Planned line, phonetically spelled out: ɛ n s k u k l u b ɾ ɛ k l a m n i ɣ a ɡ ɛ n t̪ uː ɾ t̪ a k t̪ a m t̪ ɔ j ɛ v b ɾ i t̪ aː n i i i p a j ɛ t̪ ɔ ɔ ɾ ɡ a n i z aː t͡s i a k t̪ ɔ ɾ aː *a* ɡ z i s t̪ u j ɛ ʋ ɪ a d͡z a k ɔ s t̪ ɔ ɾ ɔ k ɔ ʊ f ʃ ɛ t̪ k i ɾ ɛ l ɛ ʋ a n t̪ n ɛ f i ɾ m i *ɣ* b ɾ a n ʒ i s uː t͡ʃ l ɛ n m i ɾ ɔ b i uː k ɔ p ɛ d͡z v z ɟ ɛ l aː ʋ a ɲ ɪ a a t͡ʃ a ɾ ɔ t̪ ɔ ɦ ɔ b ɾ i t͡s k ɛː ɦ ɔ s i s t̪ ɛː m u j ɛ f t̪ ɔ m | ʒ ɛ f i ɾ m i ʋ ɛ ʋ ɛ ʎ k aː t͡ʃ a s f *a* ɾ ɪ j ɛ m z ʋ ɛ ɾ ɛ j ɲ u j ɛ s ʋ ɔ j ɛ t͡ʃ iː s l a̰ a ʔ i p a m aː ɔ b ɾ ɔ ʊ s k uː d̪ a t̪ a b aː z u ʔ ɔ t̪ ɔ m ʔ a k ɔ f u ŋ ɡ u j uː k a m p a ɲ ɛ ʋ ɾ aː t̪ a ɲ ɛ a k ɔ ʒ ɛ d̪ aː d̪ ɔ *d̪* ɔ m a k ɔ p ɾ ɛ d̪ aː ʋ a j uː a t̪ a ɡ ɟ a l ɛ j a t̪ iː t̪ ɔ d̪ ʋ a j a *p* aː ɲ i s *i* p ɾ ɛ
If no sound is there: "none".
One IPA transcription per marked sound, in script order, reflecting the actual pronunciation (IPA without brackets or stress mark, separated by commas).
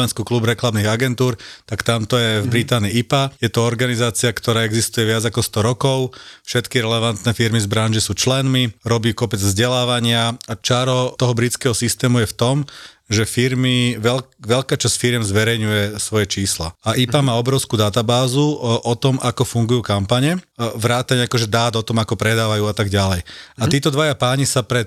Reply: ɛ, z, i, t̪, p, a